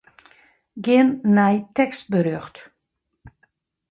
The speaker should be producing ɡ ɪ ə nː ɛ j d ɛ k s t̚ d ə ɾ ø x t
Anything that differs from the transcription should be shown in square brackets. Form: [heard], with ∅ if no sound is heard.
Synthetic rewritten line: ɡ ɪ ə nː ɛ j [t] ɛ k s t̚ [b] ə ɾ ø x t